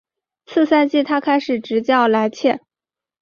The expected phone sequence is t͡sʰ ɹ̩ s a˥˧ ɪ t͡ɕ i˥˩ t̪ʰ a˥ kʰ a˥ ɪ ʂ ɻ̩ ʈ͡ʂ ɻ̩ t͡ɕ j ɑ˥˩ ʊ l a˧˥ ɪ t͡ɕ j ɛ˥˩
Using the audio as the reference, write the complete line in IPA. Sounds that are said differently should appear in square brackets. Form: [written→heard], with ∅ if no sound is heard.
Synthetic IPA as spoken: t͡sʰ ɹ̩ s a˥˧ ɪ t͡ɕ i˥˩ t̪ʰ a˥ kʰ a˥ ɪ ʂ ɻ̩ ʈ͡ʂ ɻ̩ t͡ɕ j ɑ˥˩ ʊ l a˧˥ ɪ [t͡ɕ→t͡ɕʰ] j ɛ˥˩